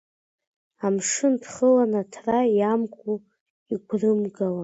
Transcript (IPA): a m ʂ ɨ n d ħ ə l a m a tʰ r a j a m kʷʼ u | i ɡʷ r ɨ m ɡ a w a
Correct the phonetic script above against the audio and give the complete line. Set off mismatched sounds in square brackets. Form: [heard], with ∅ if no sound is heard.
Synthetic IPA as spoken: a m ʂ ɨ n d [χ] ə l a [n] a tʰ r a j a m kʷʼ u | i ɡʷ r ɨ m ɡ a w a